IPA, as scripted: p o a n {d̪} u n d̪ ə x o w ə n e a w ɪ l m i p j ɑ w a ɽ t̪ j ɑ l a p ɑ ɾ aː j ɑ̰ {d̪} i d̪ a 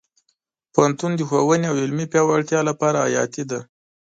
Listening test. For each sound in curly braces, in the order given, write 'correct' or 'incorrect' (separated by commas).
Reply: incorrect, incorrect